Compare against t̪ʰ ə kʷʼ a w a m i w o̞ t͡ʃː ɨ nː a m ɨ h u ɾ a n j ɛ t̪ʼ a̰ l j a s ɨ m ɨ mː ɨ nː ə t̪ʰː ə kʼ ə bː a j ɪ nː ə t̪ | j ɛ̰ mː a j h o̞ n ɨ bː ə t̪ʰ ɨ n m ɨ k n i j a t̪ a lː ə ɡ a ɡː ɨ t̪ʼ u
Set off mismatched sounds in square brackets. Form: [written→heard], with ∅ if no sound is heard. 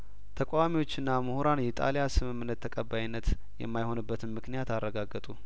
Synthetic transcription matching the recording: t̪ʰ ə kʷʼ a w a m i w o̞ t͡ʃː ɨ nː a m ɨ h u ɾ a n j ɛ t̪ʼ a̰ l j a s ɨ m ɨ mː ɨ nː ə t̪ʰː ə kʼ ə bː a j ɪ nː ə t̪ | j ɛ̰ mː a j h o̞ n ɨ bː ə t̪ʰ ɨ n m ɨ k n i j a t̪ a [lː→rː] ə ɡ a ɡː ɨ t̪ʼ u